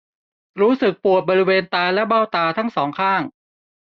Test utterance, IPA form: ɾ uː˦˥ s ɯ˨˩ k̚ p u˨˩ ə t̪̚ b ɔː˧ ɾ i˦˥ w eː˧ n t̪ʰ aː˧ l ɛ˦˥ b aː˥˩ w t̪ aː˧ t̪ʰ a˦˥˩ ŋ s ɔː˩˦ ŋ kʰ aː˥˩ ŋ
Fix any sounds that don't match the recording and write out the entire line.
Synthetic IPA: ɾ uː˦˥ s ɯ˨˩ k̚ p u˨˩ ə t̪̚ b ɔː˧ ɾ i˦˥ w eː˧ n t̪ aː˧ l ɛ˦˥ b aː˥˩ w t̪ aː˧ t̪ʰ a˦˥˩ ŋ s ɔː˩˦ ŋ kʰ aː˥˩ ŋ